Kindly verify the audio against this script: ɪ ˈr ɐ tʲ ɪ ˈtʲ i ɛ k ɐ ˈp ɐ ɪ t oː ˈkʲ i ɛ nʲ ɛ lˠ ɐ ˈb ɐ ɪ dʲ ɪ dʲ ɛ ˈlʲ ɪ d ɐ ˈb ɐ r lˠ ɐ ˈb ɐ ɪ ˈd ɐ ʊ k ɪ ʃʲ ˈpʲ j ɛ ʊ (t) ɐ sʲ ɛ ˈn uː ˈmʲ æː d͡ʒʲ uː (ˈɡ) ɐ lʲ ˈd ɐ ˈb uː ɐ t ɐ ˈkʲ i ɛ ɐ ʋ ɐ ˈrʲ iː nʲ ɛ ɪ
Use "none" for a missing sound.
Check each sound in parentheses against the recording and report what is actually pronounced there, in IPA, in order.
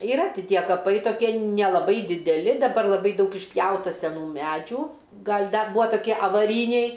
t, ɡ

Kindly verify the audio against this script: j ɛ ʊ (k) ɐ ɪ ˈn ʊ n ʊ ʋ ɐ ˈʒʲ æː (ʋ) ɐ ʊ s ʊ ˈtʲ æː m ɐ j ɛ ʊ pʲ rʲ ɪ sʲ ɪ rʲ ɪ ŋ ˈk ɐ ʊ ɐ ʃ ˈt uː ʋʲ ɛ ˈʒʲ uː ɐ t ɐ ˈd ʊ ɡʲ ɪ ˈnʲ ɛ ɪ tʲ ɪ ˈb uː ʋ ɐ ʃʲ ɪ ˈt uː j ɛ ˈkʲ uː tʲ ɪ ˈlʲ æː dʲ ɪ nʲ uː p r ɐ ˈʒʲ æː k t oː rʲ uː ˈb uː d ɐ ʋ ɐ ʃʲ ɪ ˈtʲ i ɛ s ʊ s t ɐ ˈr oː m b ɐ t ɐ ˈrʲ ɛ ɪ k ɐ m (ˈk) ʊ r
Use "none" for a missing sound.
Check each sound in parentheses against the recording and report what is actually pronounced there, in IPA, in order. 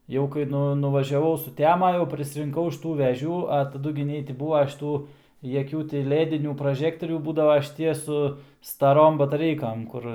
k, ʋ, k

